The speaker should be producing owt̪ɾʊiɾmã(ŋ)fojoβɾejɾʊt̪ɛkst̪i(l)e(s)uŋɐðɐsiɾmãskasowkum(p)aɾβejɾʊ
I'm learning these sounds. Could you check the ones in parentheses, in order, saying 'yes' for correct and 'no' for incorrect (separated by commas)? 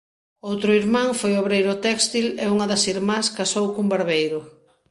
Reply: yes, yes, no, no